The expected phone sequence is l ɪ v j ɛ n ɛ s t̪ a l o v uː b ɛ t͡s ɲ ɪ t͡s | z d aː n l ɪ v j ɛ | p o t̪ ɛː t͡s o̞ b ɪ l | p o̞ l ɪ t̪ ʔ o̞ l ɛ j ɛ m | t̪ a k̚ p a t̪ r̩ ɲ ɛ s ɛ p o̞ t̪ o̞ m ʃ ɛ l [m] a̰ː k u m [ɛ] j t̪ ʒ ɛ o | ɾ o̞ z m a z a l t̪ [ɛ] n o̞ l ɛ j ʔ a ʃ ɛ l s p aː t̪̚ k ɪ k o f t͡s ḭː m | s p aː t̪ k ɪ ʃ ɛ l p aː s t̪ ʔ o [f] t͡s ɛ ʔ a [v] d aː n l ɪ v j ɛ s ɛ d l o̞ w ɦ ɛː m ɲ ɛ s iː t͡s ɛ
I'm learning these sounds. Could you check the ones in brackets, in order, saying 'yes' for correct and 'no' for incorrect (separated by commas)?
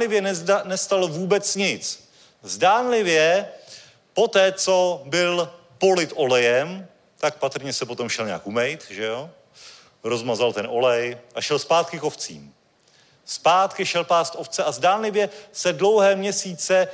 no, yes, yes, yes, no